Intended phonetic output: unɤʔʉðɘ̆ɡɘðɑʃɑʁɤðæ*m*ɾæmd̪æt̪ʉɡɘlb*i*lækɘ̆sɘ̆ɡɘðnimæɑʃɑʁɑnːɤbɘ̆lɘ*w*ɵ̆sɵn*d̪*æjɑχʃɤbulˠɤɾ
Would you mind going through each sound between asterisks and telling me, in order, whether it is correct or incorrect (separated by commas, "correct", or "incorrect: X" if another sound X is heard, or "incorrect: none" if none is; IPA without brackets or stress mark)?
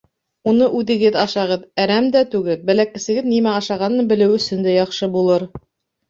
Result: incorrect: none, incorrect: æ, correct, correct